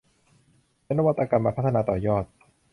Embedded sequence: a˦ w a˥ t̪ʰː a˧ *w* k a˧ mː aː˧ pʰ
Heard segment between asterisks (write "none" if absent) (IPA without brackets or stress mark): none